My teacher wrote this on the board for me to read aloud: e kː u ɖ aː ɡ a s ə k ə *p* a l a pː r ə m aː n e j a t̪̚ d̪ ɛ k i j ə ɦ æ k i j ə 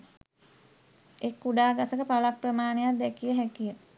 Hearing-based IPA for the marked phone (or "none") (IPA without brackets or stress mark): p